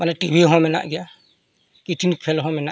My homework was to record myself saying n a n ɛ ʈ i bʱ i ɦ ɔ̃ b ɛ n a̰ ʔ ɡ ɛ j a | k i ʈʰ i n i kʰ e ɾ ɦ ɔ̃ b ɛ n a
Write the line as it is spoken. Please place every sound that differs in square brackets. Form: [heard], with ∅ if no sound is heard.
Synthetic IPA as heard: [m] a n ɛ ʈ i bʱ i ɦ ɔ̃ [m] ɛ n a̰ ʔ ɡ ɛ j a | k i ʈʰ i n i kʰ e [l] ɦ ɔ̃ [m] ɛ n a